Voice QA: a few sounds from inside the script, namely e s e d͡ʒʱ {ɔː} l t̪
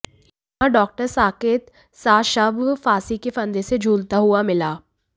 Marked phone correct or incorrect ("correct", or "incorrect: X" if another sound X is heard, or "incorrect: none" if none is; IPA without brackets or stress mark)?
incorrect: uː